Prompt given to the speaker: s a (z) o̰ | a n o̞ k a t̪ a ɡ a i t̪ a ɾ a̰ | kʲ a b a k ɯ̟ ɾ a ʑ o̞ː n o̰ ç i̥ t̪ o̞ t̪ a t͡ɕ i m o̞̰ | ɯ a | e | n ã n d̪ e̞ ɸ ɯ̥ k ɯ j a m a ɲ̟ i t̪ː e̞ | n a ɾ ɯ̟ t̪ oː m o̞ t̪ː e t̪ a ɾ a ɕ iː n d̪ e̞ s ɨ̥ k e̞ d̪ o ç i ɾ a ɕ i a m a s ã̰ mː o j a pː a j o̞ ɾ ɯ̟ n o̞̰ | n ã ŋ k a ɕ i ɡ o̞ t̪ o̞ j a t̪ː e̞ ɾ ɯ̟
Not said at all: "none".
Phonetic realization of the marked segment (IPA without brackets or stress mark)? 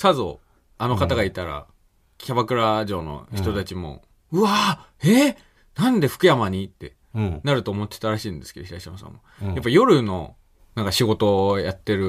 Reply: z